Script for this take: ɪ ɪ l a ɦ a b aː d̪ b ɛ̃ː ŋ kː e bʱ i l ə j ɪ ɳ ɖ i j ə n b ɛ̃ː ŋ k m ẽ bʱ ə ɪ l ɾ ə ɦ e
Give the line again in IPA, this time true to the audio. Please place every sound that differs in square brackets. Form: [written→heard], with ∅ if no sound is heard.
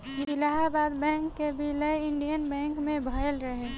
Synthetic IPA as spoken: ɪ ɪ l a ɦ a b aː d̪ b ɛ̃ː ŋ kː e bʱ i l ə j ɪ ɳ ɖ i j ə n b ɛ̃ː ŋ k m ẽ bʱ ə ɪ l ɾ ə ɦ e